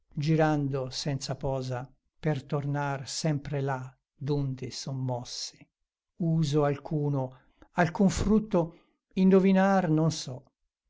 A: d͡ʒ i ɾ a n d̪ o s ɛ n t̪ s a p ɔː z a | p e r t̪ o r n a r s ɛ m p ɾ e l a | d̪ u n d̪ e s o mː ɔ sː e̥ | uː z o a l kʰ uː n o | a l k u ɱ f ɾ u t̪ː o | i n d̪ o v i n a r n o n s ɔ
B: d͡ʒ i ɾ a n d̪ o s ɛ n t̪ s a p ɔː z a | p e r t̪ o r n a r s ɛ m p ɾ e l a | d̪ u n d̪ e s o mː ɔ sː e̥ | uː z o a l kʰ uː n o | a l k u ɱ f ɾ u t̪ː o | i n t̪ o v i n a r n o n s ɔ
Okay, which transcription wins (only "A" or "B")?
A